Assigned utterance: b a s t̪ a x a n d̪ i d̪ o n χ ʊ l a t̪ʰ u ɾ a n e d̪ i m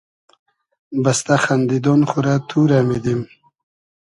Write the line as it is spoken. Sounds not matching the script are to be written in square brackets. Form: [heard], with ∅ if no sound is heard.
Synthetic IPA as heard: b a s t̪ a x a n d̪ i d̪ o n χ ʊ [ɾ] a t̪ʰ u ɾ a [m] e d̪ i m